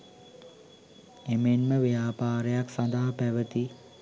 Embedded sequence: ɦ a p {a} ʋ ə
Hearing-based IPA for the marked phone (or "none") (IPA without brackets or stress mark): æ